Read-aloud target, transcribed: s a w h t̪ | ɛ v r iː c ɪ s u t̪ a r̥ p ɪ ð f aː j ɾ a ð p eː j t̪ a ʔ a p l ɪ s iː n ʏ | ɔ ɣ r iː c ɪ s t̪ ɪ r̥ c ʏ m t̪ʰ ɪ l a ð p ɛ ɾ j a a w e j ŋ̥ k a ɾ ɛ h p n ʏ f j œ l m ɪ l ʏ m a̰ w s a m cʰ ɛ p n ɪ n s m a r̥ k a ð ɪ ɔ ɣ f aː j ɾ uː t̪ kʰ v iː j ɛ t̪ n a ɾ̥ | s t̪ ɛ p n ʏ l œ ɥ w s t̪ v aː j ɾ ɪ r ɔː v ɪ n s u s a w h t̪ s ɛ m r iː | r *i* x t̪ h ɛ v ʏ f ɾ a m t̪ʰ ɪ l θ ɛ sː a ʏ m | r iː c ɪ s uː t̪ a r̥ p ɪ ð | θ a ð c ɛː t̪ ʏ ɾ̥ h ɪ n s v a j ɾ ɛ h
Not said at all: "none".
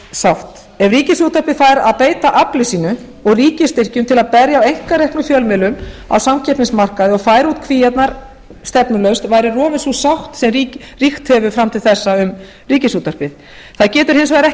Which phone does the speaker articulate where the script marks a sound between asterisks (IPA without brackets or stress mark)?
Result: i